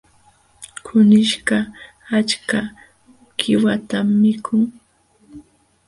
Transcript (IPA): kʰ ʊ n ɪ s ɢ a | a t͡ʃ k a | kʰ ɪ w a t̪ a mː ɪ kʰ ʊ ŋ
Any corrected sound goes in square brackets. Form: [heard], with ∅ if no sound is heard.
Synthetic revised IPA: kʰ ʊ n ɪ [ʃ] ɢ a | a t͡ʃ k a | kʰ ɪ w a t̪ a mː ɪ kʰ ʊ ŋ

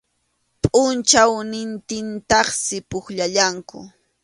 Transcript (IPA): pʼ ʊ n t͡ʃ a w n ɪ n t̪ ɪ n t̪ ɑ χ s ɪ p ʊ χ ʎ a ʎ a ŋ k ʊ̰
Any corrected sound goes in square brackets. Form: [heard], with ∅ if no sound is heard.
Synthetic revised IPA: pʼ ʊ n t͡ʃ a w n ɪ n t̪ ɪ n t̪ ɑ χ s ɪ p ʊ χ ʎ a ʎ a ŋ k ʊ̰

